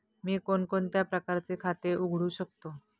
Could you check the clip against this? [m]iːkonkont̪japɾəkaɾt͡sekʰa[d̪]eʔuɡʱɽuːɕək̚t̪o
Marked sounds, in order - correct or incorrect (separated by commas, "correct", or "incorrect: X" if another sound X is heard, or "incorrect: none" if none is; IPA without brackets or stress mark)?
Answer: correct, incorrect: t̪